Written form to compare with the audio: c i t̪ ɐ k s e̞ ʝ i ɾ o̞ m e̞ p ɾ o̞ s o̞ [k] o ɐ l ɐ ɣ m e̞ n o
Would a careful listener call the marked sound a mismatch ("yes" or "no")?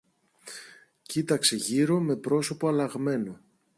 yes